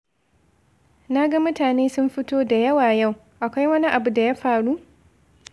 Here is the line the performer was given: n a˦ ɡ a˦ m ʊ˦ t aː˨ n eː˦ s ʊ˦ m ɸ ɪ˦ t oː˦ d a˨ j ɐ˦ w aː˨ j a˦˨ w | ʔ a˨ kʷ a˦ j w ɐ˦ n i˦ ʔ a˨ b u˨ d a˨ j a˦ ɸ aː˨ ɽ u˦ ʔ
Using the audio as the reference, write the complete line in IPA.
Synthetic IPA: n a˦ ɡ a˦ m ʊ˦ t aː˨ n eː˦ s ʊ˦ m ɸ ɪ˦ t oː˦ d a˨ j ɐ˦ w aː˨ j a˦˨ w | ʔ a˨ kʷ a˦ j w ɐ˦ n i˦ ʔ a˨ b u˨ d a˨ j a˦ ɸ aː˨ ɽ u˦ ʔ